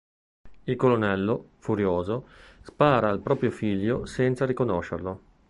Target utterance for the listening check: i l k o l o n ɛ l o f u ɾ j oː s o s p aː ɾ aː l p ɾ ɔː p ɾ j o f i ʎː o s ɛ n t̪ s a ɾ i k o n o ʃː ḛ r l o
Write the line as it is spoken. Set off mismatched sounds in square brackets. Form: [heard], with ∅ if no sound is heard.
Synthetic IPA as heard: i l k o l o n ɛ [lː] o f u ɾ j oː [z] o s p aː ɾ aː l p ɾ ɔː p ɾ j o f i ʎː o s ɛ n t̪ s a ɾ i k o n o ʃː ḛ r l o